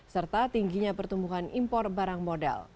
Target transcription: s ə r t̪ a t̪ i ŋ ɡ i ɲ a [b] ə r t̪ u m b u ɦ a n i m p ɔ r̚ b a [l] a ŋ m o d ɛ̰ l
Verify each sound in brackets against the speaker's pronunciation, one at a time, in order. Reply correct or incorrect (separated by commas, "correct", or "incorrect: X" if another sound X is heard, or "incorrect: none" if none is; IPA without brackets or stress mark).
incorrect: p, incorrect: ɾ